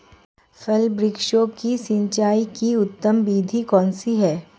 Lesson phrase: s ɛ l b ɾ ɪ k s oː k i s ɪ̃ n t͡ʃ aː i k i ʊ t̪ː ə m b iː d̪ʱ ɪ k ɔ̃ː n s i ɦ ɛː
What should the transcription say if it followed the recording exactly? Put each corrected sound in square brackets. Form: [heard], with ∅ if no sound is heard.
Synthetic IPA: [f] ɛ l b ɾ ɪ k [ʃ] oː k i s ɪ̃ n t͡ʃ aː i k i ʊ t̪ː ə m b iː d̪ʱ [i] k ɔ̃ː n s i ɦ ɛː